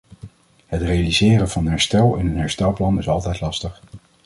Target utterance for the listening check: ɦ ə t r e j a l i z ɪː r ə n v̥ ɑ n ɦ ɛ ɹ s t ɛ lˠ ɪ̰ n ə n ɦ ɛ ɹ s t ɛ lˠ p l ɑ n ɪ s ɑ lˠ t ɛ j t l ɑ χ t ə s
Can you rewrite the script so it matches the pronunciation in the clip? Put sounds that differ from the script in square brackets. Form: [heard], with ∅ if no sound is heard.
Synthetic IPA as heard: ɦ ə t r e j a l i z ɪː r ə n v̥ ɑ n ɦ ɛ ɹ s t ɛ lˠ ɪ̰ n ə n ɦ ɛ ɹ s t ɛ lˠ p l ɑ n ɪ s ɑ lˠ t ɛ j t l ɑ [s] t ə [χ]